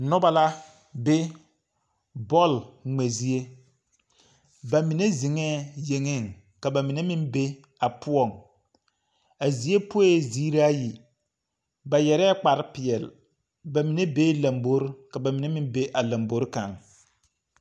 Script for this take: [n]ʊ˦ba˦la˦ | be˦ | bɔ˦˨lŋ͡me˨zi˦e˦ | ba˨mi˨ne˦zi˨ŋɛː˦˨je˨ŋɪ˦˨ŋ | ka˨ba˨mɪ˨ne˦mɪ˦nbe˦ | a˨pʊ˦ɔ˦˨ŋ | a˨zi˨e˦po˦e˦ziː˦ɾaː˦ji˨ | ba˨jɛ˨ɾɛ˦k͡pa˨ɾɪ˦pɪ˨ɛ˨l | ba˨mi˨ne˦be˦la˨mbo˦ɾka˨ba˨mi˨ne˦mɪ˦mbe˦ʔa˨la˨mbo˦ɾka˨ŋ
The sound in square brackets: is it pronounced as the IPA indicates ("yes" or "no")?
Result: yes